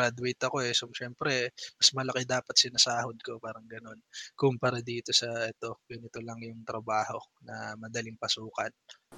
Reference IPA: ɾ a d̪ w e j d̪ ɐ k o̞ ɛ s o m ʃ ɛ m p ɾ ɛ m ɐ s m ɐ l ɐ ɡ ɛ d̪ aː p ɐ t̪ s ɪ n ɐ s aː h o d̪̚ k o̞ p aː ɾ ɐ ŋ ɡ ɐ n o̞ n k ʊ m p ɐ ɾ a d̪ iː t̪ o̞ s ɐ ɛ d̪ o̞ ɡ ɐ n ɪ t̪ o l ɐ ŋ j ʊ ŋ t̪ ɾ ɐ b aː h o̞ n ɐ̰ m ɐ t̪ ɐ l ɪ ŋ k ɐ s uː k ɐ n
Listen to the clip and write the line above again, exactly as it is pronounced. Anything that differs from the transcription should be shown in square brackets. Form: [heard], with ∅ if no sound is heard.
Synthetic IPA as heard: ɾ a d̪ w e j [t̪] ɐ k o̞ ɛ s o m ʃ ɛ m p ɾ ɛ m ɐ s m ɐ l ɐ [k] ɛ d̪ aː p ɐ t̪ s ɪ n ɐ s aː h o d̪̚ k o̞ p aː ɾ ɐ ŋ ɡ ɐ n o̞ n k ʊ m p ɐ ɾ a d̪ iː t̪ o̞ s ɐ ɛ [t̪] o̞ ɡ ɐ n ɪ t̪ o l ɐ ŋ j ʊ ŋ t̪ ɾ ɐ b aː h o̞ n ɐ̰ m ɐ [d̪] ɐ l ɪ ŋ [p] ɐ s uː k ɐ n